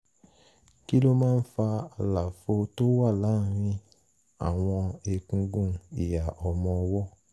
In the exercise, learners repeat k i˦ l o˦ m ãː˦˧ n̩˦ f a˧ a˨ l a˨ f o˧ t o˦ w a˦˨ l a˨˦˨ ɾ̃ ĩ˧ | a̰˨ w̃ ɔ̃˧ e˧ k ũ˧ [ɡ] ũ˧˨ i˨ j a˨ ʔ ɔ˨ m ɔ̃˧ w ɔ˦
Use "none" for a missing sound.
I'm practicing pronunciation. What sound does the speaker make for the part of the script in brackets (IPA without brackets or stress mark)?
ɡ